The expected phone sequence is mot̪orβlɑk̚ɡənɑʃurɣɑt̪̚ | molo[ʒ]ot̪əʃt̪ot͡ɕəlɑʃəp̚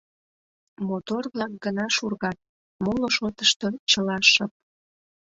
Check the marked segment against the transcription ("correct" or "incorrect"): incorrect